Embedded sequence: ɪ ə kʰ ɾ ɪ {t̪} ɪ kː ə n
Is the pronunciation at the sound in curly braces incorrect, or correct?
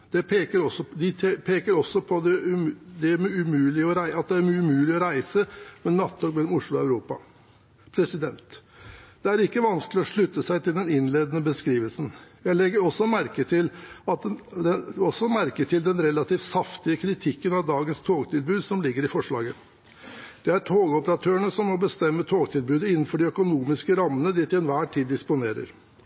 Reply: incorrect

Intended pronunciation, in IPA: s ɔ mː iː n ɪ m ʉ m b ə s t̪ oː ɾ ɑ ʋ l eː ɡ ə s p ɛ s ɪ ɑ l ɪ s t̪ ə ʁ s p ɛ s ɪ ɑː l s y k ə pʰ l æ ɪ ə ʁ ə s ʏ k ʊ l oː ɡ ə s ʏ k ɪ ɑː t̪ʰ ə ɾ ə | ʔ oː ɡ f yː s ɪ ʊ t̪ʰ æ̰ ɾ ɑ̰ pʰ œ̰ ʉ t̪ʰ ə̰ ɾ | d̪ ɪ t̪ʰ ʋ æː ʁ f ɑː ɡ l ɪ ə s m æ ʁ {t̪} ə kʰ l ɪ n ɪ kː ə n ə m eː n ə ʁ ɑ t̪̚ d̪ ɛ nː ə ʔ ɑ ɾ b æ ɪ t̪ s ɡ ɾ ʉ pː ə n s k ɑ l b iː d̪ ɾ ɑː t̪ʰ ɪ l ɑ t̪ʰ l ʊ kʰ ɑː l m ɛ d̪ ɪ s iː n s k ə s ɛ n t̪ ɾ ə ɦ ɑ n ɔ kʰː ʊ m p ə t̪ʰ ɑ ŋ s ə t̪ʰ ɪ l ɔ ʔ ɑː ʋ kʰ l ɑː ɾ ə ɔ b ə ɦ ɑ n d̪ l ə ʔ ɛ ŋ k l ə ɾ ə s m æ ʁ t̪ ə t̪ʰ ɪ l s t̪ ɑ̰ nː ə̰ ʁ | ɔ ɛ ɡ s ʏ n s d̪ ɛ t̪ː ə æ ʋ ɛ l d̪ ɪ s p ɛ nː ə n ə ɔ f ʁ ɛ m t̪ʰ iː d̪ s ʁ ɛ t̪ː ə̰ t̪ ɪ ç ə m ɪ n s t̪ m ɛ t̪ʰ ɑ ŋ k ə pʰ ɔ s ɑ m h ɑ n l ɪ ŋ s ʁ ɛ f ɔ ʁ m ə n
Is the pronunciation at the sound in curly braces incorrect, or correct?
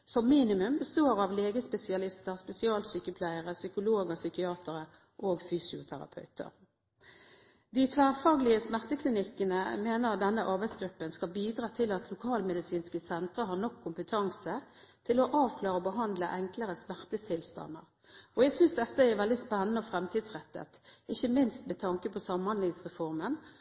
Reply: correct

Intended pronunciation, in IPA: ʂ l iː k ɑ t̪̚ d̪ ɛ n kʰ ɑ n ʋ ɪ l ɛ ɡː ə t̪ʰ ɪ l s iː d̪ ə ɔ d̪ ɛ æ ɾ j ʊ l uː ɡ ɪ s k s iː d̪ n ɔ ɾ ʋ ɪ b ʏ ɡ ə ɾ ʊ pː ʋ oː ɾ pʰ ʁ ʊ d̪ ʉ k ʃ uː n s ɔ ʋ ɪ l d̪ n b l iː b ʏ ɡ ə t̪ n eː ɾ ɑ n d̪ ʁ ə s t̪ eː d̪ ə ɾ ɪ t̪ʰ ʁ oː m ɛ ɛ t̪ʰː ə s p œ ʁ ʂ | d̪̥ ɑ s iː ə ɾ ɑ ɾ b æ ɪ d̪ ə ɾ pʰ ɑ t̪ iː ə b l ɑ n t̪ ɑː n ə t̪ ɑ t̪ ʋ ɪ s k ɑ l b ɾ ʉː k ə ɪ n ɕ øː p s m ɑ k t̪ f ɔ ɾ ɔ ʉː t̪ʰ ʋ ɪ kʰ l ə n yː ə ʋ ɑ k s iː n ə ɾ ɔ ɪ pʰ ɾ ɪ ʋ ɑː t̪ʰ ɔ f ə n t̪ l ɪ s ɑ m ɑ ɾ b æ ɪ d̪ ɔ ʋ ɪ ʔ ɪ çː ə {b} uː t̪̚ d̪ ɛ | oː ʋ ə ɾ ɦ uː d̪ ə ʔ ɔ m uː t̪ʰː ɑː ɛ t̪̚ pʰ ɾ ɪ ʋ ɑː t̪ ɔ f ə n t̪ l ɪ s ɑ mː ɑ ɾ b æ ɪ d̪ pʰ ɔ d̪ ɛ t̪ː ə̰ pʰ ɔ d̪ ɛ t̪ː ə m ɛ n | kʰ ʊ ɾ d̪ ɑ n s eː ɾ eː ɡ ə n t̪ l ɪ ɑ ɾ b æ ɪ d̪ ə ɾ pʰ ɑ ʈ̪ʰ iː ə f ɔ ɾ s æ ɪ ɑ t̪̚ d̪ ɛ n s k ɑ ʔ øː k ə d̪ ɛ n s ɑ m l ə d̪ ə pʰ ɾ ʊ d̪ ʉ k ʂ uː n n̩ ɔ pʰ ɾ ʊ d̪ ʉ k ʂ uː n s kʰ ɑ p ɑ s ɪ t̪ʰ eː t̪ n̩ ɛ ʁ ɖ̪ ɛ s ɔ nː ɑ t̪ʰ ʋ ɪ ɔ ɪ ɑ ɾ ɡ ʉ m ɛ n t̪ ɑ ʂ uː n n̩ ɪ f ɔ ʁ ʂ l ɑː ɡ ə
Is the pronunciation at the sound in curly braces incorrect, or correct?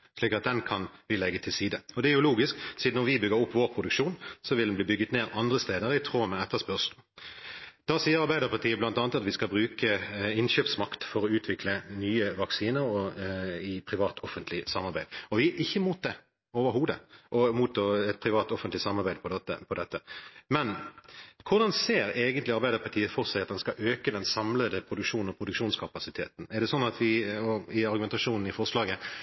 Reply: incorrect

